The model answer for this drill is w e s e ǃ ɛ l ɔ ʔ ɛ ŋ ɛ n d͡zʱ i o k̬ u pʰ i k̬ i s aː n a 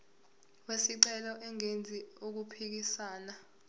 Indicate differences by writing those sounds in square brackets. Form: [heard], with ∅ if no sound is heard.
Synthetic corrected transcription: w e s [i] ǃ ɛ l ɔ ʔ ɛ ŋ [e] n d͡zʱ i o k̬ u pʰ i k̬ i s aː n a